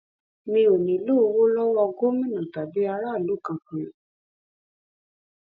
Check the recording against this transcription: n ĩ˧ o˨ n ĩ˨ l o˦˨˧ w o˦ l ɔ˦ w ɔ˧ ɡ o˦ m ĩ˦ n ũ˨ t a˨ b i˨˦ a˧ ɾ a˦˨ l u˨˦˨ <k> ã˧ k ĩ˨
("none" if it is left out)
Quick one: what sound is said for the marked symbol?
k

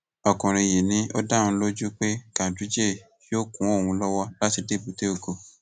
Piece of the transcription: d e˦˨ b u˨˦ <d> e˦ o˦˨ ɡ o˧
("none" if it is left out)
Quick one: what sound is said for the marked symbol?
t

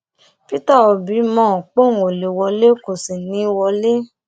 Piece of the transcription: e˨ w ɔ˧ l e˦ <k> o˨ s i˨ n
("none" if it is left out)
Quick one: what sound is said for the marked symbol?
k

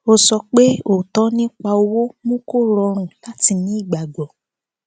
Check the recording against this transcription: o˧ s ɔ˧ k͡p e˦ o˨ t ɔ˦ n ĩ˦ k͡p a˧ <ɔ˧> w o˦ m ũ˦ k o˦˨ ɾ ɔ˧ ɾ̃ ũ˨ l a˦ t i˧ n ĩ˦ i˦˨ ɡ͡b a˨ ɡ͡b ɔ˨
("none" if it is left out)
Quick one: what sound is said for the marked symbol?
o˧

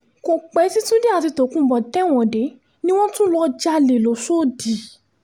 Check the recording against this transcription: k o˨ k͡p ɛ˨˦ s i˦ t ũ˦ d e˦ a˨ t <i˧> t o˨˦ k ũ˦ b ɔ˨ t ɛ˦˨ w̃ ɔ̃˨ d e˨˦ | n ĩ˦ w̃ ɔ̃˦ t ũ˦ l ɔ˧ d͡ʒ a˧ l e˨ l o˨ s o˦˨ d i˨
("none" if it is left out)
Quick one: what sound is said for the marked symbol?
i˧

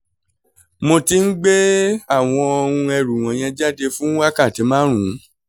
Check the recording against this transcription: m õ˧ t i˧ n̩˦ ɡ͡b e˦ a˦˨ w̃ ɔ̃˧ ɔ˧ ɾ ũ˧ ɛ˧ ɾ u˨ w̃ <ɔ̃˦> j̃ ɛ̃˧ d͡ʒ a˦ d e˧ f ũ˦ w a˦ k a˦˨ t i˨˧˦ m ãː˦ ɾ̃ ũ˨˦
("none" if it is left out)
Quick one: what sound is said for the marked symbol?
ɔ̃˨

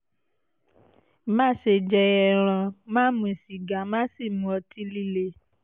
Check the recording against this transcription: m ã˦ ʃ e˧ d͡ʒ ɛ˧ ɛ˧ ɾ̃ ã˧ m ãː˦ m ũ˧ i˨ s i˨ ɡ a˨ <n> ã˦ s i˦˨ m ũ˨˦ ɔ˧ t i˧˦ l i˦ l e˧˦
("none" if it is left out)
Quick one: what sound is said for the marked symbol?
m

